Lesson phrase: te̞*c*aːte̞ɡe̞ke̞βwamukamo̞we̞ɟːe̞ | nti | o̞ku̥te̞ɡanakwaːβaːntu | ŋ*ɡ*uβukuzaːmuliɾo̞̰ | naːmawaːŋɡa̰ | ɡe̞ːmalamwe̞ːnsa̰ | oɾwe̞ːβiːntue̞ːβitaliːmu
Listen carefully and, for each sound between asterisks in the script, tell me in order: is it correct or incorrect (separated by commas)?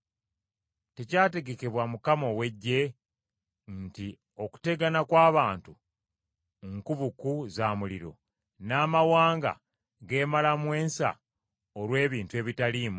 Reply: correct, incorrect